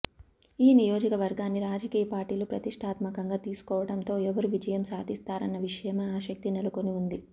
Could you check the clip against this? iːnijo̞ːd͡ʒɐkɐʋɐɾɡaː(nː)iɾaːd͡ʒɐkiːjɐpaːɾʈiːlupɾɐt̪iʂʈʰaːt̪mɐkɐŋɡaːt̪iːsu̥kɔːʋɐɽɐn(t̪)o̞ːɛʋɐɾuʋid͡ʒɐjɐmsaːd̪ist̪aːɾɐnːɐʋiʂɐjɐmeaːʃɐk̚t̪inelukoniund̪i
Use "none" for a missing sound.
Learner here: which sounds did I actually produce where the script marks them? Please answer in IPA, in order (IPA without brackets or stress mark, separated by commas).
nː, t̪